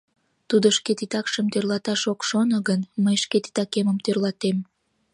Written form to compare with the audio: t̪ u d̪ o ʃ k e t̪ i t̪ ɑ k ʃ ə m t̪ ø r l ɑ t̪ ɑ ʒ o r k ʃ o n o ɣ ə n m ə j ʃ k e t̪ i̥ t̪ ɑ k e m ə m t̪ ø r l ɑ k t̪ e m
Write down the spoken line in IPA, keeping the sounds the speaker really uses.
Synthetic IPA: t̪ u d̪ o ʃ k e t̪ i t̪ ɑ k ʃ ə m t̪ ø r l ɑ t̪ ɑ ʃ o k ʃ o n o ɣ ə n m ə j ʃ k e t̪ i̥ t̪ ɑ k e m ə m t̪ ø r l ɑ t̪ e m